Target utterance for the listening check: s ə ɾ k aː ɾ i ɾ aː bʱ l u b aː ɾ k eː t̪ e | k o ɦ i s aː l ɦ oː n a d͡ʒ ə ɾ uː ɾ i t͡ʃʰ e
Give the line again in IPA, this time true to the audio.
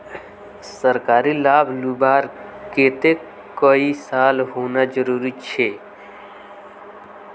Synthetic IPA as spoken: s ə ɾ k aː ɾ i l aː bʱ l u b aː ɾ k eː t̪ e | k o i s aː l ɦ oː n a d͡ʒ ə ɾ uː ɾ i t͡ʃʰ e